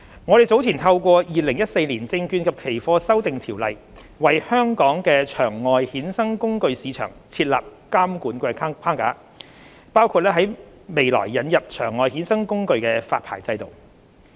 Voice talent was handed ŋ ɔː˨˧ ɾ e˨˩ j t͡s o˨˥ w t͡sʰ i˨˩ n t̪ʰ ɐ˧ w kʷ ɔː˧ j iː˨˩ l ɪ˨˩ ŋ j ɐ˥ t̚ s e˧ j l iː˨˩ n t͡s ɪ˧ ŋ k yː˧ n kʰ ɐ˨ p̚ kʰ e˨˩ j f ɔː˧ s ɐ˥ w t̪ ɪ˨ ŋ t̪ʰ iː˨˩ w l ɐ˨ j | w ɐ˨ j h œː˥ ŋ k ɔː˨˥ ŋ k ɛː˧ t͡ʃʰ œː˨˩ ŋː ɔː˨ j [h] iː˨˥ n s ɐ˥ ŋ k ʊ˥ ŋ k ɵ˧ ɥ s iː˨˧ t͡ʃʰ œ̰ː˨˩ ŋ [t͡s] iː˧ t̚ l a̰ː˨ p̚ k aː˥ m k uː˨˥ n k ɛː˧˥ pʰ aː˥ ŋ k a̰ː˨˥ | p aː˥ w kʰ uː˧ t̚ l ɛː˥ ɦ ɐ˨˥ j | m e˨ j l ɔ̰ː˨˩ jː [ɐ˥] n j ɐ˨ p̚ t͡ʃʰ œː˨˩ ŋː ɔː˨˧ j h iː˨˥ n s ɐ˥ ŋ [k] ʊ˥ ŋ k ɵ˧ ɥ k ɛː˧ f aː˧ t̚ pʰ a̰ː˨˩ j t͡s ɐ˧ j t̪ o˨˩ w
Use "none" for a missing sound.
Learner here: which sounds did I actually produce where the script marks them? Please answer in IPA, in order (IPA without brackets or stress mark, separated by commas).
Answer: h, t͡sʰ, ɐ˨˧, k